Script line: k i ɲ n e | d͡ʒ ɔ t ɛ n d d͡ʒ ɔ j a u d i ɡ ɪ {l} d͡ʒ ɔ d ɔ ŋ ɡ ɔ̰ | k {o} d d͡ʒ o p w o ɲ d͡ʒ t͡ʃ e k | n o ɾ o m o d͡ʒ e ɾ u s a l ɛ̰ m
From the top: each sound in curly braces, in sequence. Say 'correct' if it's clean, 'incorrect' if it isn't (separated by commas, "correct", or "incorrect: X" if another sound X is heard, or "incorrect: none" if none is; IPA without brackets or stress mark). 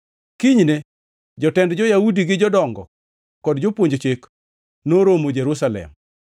incorrect: none, incorrect: ɔ